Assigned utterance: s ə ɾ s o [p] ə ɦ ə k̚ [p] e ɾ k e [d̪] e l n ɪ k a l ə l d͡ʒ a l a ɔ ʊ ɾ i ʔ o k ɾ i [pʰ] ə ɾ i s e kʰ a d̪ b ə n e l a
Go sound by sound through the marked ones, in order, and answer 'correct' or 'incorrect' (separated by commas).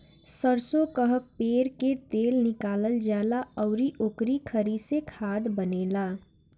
incorrect, correct, incorrect, incorrect